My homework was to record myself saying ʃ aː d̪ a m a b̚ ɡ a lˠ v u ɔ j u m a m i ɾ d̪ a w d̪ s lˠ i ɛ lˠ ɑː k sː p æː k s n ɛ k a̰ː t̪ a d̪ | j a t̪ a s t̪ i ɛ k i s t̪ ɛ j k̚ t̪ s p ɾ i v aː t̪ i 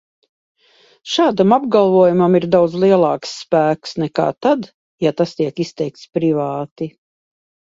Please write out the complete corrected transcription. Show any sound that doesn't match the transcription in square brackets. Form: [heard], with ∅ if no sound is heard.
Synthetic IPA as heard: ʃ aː d̪ a m a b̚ ɡ a lˠ v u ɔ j u m a m i ɾ d̪ a w d̪ [z] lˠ i ɛ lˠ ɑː k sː p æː k s n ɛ k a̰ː t̪ a d̪ | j a t̪ a s t̪ i ɛ k i s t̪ ɛ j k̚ t̪ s p ɾ i v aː t̪ i